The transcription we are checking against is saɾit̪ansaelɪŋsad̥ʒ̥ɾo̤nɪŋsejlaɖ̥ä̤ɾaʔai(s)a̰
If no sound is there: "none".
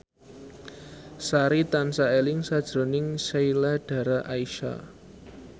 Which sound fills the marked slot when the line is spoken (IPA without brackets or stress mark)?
ʃ